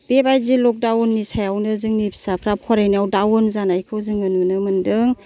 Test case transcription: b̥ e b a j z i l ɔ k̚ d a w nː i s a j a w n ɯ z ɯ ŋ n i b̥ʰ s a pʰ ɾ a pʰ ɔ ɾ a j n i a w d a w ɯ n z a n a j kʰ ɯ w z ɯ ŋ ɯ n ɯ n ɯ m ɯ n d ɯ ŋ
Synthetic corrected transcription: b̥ e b a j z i l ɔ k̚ d a w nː i s a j a w n ɯ z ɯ ŋ n i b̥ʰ s a pʰ ɾ a pʰ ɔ ɾ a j n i a w d a w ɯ n z a n a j kʰ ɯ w z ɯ ŋ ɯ n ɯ n ɯ m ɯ n d ɯ ŋ